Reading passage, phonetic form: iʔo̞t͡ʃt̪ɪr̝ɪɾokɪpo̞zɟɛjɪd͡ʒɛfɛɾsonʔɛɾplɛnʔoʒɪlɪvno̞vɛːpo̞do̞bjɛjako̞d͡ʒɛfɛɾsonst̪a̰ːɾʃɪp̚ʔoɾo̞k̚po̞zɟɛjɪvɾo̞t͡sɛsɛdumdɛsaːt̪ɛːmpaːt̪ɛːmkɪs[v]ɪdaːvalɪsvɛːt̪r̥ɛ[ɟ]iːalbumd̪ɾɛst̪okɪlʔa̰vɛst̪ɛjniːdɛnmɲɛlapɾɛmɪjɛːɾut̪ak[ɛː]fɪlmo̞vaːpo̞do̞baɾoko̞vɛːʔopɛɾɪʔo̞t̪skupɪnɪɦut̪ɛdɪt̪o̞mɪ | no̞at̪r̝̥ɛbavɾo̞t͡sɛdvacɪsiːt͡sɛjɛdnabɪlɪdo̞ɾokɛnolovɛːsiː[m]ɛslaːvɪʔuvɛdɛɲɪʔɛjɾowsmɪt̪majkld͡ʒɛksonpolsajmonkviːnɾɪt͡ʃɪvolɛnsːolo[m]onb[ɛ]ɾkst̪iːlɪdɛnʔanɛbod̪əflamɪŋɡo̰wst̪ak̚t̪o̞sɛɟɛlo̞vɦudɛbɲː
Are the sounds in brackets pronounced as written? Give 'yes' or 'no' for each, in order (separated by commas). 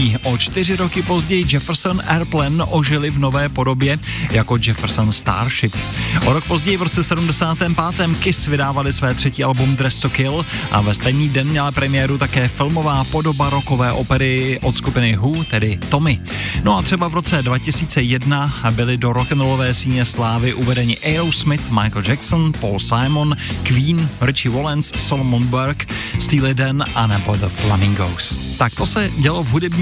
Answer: yes, no, yes, no, yes, yes